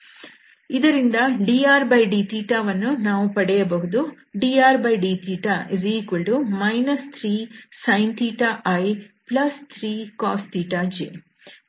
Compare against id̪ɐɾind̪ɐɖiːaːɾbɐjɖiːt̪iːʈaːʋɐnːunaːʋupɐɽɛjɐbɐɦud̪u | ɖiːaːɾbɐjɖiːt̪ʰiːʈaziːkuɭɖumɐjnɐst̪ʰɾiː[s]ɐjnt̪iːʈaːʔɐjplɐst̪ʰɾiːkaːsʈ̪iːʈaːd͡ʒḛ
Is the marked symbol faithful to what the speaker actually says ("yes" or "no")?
yes